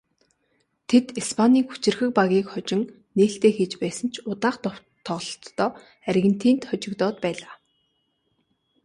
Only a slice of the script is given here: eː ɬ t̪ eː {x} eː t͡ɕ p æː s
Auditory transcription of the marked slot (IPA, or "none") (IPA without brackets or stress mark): x